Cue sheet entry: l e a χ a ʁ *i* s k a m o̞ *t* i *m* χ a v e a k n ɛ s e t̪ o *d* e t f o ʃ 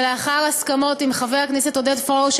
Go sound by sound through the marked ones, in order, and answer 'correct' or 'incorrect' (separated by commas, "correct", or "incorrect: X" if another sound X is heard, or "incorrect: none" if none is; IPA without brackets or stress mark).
incorrect: a, correct, correct, correct